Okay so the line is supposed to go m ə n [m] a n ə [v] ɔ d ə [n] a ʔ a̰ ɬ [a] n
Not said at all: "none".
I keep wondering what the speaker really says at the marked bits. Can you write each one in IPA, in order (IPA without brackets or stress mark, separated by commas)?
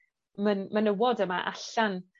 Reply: m, w, m, a